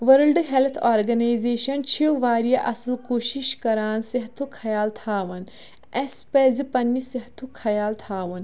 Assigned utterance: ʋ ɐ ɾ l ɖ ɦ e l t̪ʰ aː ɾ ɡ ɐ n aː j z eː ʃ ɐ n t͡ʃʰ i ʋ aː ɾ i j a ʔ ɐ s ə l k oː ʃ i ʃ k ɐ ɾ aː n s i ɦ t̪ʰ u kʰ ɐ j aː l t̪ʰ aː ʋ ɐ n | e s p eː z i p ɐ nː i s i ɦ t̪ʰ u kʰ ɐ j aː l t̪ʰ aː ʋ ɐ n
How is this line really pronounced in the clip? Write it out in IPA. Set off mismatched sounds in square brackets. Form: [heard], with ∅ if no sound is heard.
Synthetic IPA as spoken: ʋ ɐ ɾ l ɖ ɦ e l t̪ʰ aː ɾ ɡ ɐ n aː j z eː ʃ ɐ n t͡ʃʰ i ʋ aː ɾ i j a ʔ ɐ s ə l k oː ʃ i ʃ k ɐ ɾ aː n s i ɦ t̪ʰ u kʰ ɐ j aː l t̪ʰ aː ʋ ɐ n | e s p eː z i p ɐ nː i s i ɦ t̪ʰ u kʰ ɐ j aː l t̪ʰ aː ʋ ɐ n

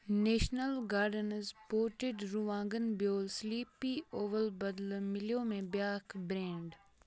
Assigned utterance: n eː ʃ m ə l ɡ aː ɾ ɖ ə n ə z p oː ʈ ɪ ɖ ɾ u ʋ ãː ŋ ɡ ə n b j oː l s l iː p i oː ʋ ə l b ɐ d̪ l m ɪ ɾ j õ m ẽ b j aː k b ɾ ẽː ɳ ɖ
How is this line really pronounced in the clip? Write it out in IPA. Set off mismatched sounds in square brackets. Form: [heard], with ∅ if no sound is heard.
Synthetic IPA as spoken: n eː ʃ [n] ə l ɡ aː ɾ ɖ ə n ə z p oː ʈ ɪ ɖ ɾ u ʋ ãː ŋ ɡ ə n b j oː l s l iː p i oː ʋ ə l b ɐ d̪ l m ɪ [l] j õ m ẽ b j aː k b ɾ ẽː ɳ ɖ

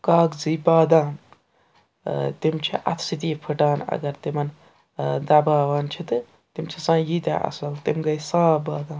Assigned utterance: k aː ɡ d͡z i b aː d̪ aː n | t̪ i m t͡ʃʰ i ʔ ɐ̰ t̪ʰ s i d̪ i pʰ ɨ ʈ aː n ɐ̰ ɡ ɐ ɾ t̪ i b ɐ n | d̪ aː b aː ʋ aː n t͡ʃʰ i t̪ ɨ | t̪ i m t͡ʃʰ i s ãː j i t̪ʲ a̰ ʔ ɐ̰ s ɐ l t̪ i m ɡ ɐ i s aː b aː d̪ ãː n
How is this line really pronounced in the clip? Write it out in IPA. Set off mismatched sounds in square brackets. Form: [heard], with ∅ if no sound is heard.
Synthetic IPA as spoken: k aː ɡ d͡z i b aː d̪ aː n | t̪ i m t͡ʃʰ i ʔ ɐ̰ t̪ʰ s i [t̪] i pʰ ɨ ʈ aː n ɐ̰ ɡ ɐ ɾ t̪ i [m] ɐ n | d̪ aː b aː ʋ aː n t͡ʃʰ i t̪ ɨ | t̪ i m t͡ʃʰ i s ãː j i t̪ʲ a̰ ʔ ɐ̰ s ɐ l t̪ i m ɡ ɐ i s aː b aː d̪ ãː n

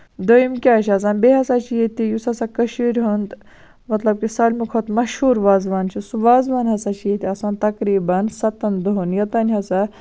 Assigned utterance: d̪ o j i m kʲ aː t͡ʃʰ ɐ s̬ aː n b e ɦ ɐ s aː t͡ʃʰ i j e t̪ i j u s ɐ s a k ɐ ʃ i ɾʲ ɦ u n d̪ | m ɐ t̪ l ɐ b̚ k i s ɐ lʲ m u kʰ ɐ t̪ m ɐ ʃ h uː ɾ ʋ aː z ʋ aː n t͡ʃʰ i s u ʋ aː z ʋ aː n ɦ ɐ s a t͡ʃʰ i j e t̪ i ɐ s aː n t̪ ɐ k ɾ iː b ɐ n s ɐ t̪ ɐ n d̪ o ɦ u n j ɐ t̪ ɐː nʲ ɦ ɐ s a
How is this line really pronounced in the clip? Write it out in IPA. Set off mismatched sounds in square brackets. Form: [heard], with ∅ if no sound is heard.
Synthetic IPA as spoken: d̪ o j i m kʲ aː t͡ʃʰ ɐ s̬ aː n b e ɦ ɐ s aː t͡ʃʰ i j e t̪ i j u s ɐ s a k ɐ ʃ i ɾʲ ɦ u n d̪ | m ɐ t̪ l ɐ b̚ k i s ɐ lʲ m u kʰ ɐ t̪ m ɐ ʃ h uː ɾ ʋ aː z ʋ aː n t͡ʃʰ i s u ʋ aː z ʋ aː n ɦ ɐ s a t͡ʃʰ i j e t̪ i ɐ s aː n t̪ ɐ k ɾ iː b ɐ n s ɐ t̪ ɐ n d̪ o ɦ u n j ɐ t̪ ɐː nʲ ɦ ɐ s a

